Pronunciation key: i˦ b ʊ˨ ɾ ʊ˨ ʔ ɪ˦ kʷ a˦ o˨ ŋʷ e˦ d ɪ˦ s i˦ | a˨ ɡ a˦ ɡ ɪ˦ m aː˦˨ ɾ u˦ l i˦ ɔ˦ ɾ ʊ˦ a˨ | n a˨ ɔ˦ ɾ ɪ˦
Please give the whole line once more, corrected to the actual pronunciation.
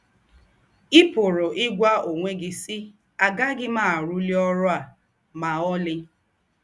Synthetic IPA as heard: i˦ p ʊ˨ ɾ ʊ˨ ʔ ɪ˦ ɡʷ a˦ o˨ ŋʷ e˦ ɡ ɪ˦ s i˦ | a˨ ɡ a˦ ɡ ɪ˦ m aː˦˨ ɾ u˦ l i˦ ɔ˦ ɾ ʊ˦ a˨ | m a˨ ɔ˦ l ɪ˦